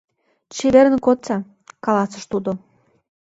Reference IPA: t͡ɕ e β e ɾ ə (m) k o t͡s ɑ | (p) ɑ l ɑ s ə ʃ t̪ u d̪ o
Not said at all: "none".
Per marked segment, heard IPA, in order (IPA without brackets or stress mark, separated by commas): n, k